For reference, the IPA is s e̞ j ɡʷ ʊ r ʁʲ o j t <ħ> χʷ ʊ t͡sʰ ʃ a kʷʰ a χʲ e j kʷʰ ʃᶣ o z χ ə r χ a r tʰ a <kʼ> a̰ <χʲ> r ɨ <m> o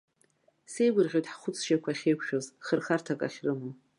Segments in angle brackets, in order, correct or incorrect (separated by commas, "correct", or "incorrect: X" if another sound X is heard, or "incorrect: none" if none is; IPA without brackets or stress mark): correct, correct, correct, correct